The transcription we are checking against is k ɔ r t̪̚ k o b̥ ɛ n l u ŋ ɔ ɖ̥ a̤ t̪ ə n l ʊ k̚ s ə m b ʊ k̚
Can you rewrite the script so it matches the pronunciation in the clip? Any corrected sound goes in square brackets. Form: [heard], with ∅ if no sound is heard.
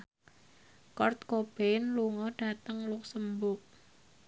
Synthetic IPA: k ɔ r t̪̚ k o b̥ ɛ n l u ŋ ɔ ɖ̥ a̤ t̪ ə [ŋ] l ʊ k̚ s ə m b ʊ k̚